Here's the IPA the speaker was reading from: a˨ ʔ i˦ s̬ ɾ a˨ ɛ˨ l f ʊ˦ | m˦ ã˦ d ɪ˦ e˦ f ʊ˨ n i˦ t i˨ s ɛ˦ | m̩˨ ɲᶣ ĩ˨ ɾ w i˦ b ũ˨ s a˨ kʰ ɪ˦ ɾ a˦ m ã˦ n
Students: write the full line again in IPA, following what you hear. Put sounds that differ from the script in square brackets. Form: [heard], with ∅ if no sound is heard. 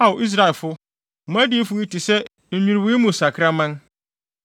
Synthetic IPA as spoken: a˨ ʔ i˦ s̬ ɾ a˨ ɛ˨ l f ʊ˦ | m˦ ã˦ d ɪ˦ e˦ f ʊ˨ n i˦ t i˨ s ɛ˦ | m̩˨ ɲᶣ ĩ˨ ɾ w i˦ [m] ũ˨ s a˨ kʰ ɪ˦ ɾ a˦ m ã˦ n